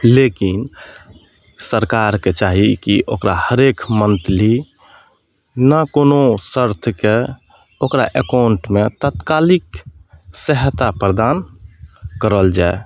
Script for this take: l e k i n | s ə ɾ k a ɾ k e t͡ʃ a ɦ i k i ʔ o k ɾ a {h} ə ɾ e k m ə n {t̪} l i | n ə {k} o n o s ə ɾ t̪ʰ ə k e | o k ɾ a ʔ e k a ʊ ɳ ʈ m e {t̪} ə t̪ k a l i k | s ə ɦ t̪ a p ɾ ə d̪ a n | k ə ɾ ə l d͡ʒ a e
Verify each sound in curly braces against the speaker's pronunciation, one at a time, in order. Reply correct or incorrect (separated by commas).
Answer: correct, correct, correct, correct